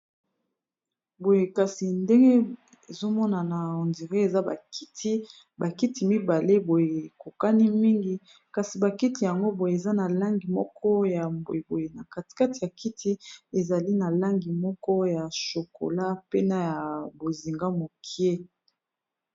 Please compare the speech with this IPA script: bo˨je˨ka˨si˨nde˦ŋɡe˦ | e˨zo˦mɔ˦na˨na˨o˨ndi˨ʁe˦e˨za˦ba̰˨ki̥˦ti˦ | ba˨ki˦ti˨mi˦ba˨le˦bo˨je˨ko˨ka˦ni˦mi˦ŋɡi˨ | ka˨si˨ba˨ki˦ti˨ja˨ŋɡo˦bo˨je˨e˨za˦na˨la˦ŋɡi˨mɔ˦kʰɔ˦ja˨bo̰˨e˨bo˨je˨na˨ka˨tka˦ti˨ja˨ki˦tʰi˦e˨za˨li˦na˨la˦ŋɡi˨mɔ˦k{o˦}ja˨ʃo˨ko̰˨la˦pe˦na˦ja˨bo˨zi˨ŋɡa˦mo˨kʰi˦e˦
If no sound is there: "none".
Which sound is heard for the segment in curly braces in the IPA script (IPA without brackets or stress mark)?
ɔ˦